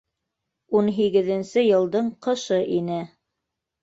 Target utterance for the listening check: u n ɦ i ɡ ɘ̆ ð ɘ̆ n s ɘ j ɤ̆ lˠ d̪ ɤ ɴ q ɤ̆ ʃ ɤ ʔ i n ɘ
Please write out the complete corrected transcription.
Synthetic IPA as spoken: u n ɦ i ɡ ɘ̆ ð ɘ̆ n s ɘ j ɤ̆ lˠ d̪ ɤ ɴ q ɤ̆ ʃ ɤ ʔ i n ɘ